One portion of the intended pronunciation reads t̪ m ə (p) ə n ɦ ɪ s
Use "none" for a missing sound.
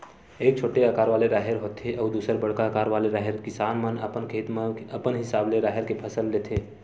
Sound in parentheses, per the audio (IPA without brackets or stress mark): p